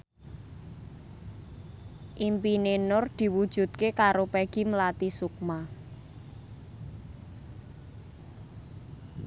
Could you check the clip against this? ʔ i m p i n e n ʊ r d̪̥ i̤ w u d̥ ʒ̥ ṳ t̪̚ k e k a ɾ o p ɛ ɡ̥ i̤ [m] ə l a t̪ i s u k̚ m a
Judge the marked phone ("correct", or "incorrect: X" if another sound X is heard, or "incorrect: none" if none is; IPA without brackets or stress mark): correct